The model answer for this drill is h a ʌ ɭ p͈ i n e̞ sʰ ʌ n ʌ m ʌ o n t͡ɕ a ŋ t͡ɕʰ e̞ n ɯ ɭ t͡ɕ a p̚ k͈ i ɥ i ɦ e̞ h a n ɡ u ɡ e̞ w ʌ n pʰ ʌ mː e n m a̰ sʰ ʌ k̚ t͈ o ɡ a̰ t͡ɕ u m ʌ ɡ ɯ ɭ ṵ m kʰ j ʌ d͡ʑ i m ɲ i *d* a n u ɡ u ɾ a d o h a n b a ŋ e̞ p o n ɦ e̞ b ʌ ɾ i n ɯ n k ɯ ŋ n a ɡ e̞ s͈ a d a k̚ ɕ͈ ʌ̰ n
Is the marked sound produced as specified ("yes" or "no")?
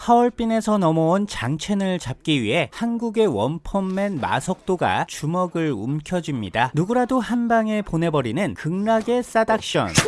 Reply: yes